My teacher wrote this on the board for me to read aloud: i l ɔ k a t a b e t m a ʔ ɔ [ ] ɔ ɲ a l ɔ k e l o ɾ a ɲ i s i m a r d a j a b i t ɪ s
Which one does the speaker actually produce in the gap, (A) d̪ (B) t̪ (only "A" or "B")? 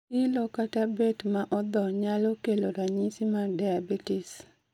A